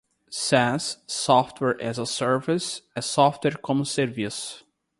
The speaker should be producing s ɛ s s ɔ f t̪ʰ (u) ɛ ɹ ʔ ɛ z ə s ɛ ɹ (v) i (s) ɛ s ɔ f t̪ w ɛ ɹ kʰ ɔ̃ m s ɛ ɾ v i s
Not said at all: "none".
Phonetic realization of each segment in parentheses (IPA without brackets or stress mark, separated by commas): w, v, s